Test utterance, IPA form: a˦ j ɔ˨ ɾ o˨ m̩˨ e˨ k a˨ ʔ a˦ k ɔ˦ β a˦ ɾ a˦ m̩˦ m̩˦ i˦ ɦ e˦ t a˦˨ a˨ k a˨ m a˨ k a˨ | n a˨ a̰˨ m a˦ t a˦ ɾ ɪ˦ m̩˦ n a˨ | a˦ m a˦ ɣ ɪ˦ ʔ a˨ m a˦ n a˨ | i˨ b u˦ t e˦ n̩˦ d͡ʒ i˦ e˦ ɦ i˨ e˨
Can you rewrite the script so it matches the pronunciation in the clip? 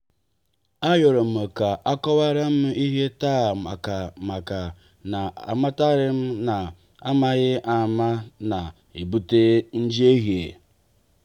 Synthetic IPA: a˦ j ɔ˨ ɾ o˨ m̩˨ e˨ k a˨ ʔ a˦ k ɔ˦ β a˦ ɾ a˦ m̩˦ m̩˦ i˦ ɦ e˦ t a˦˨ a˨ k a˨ m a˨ k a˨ | n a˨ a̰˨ m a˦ t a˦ ɾ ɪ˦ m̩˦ n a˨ | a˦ m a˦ ɣ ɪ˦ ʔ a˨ m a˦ n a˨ | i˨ b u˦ t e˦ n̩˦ d͡ʒ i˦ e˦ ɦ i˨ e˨